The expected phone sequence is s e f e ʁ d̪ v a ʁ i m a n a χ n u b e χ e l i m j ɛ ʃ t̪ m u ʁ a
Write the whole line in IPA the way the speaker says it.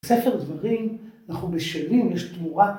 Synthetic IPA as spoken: s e f e ʁ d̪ v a ʁ i m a n a χ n u b e ʃ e l i m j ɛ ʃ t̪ m u ʁ a